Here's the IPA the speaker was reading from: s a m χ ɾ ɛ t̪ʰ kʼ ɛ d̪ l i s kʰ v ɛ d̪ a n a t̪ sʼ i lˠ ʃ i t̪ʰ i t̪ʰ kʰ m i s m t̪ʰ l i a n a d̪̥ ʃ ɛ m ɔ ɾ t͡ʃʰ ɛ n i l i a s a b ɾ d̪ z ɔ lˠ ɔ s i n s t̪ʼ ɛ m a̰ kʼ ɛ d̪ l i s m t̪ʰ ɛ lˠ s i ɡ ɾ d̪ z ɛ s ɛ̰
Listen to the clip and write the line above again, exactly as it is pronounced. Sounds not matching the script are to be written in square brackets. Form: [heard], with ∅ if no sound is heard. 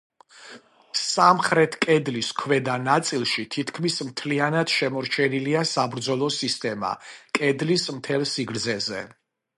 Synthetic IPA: s a m χ ɾ ɛ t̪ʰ kʼ ɛ d̪ l i s kʰ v ɛ d̪ a n a t̪ sʼ i lˠ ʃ i t̪ʰ i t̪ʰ kʰ m i s m t̪ʰ l i a n a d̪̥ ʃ ɛ m ɔ ɾ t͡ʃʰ ɛ n i l i a s a b ɾ d̪ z ɔ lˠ ɔ s i [∅] s t̪ʼ ɛ m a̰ kʼ ɛ d̪ l i s m t̪ʰ ɛ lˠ s i ɡ ɾ d̪ z ɛ [z] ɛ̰